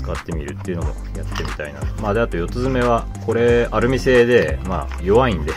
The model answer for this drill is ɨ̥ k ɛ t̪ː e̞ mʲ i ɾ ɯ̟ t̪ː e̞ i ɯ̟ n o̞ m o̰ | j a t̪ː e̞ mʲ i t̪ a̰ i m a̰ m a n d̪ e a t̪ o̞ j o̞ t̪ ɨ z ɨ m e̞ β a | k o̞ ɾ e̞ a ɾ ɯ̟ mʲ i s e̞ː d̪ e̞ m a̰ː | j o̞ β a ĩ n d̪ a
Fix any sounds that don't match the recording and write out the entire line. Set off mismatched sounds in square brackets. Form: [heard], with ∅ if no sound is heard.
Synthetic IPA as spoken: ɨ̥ k [a] t̪ː e̞ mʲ i ɾ ɯ̟ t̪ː e̞ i ɯ̟ n o̞ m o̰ | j a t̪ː e̞ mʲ i t̪ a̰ i [n] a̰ m a [∅] d̪ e a t̪ o̞ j o̞ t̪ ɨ z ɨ m e̞ β a | k o̞ ɾ e̞ a ɾ ɯ̟ mʲ i s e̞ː d̪ e̞ m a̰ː | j o̞ β a ĩ n d̪ [e]